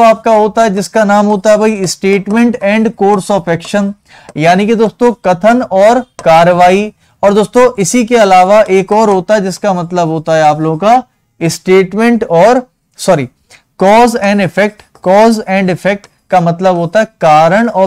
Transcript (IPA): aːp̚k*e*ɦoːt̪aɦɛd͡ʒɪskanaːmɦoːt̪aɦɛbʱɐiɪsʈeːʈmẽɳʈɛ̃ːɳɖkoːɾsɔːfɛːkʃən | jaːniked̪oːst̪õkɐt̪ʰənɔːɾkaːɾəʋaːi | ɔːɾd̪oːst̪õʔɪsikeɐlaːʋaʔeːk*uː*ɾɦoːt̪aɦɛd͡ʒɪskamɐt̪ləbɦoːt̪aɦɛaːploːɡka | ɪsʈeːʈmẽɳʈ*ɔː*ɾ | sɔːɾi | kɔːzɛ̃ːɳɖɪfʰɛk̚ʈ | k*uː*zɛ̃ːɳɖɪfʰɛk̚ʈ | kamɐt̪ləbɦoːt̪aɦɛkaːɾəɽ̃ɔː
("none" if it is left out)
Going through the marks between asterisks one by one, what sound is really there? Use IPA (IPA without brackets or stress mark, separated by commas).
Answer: a, ɔː, ɔː, ɔː